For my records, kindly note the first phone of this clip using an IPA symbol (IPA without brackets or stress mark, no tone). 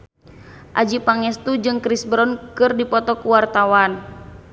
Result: ʔ